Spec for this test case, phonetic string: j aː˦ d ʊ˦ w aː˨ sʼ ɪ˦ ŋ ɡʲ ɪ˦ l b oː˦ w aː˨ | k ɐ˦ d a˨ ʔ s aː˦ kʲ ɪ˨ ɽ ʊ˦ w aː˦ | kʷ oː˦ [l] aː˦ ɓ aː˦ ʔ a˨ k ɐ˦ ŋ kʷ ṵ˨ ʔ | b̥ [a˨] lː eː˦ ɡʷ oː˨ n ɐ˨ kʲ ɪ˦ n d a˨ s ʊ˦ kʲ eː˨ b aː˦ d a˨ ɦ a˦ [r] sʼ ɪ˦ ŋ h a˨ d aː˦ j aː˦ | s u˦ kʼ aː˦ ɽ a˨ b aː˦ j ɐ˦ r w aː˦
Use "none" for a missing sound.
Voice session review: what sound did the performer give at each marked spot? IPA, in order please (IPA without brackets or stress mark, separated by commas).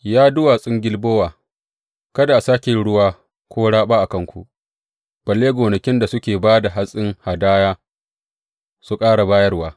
ɽ, ɐ˨, none